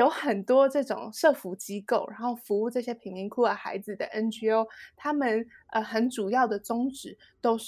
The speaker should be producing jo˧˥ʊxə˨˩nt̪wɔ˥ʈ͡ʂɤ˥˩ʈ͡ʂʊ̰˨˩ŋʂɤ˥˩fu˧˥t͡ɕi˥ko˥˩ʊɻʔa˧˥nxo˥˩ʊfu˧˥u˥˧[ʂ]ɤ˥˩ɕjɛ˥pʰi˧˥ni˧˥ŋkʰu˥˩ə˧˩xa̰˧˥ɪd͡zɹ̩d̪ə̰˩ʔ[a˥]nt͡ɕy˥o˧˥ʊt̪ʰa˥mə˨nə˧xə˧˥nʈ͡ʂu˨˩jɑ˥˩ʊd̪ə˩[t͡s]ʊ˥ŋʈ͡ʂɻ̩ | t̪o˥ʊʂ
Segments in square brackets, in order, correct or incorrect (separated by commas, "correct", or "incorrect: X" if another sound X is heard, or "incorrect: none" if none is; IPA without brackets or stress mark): incorrect: ʈ͡ʂ, incorrect: ə˥, correct